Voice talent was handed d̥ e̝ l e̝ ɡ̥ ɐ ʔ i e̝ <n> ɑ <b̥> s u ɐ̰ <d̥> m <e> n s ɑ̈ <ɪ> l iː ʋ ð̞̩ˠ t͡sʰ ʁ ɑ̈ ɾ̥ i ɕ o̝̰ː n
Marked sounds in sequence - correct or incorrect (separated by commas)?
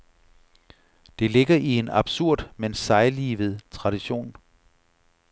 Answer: correct, correct, correct, correct, correct